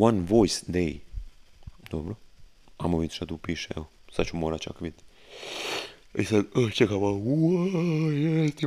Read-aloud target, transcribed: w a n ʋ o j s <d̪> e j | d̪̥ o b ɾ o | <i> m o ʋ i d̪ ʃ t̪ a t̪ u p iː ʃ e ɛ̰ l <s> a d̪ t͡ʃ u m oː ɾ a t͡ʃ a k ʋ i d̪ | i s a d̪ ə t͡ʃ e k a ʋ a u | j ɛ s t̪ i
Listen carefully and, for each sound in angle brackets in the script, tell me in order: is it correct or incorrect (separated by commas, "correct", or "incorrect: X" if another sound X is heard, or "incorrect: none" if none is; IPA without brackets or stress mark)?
correct, incorrect: a, correct